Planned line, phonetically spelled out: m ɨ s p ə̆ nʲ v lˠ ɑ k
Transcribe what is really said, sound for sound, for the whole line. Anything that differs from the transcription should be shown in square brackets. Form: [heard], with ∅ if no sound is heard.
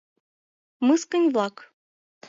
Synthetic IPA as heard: m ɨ s [k] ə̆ nʲ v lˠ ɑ k

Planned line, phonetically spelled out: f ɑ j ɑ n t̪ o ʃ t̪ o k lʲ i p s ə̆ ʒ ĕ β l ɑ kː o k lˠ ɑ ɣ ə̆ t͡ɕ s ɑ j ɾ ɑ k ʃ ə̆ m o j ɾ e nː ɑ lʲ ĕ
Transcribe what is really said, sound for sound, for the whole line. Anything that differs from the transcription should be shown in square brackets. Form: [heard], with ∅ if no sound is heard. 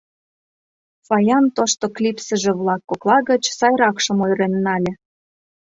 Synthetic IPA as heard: f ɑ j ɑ n t̪ o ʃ t̪ o k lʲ i p s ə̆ ʒ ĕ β l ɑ kː o k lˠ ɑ ɣ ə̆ t͡ɕ s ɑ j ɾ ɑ k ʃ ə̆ m o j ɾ e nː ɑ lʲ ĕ

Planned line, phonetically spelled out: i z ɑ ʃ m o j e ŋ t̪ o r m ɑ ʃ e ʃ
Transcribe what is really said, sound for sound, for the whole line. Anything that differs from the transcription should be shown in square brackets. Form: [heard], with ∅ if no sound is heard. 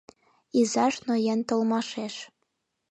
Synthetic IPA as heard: i z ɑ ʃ [n] o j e [n] t̪ o [l] m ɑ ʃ e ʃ

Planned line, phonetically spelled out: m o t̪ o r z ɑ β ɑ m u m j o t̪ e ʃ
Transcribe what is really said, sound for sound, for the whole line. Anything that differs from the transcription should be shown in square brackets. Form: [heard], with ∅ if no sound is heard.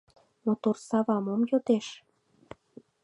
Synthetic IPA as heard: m o t̪ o r [s] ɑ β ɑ m [o] m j o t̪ e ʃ

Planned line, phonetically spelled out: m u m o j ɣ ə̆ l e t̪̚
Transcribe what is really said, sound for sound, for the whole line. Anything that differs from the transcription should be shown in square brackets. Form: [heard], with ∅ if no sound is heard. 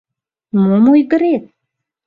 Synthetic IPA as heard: m [o] m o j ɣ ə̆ [ɾ] e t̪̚

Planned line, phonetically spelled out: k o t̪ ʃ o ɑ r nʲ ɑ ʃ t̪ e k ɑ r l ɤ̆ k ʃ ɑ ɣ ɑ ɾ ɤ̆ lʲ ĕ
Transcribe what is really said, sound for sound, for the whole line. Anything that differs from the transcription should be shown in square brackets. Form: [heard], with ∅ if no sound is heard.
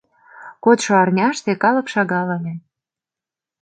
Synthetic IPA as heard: k o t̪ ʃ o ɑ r nʲ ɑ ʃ t̪ e k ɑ [∅] l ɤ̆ k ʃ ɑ ɣ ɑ [l] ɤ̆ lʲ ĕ

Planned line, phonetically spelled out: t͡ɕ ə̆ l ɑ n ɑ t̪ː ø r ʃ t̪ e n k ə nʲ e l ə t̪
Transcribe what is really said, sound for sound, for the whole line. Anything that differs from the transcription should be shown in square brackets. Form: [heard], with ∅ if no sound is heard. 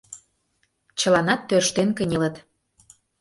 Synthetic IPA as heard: t͡ɕ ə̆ l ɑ n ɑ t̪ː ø r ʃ t̪ e n k ə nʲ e l ə t̪

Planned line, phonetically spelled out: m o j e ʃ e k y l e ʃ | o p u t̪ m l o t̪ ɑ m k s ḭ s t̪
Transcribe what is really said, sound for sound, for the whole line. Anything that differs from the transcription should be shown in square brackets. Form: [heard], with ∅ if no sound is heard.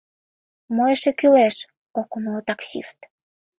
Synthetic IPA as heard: m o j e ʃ e k y l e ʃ | o [k] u [∅] m l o t̪ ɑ [∅] k s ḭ s t̪

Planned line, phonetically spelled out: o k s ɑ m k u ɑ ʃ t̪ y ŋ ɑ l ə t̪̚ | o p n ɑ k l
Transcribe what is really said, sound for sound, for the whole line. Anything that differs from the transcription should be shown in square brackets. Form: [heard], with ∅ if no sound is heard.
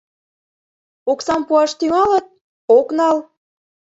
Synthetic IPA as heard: o k s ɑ m [p] u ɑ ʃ t̪ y ŋ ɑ l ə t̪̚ | o [k] n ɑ [∅] l

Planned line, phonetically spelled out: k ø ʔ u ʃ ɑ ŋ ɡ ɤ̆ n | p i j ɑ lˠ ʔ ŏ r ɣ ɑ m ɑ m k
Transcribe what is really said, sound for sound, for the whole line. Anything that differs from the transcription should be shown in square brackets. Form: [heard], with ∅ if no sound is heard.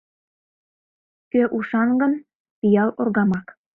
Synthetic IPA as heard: k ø ʔ u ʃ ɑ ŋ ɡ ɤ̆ n | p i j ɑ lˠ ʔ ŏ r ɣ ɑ m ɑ [∅] k

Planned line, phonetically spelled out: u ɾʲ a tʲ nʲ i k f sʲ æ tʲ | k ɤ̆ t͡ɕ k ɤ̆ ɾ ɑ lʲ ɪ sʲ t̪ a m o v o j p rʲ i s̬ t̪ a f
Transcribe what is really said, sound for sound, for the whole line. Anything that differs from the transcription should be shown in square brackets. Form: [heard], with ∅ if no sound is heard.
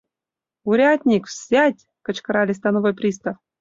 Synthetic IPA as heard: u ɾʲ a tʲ nʲ i k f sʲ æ tʲ | k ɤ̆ t͡ɕ k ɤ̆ ɾ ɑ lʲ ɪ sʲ t̪ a [n] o v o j p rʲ i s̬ t̪ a f

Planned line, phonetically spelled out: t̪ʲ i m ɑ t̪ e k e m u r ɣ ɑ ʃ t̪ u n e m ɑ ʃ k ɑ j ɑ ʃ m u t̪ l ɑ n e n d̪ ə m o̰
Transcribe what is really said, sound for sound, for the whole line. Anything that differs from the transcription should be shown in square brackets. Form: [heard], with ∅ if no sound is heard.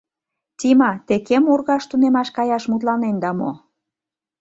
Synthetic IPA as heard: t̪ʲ i m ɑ t̪ e k e m u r ɣ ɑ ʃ t̪ u n e m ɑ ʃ k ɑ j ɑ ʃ m u t̪ l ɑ n e n d̪ [ɑ] m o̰

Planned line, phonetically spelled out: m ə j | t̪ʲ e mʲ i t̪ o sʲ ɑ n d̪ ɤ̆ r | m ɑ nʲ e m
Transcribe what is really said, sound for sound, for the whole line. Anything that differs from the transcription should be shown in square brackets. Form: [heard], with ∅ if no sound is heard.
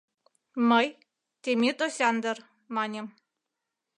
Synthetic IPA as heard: m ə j | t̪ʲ e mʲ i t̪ o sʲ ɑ n d̪ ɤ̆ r | m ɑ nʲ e m

